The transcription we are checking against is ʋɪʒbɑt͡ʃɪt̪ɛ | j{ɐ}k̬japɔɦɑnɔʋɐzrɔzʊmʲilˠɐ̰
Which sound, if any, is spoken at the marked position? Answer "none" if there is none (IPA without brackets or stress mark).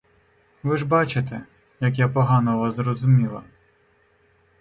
ɐ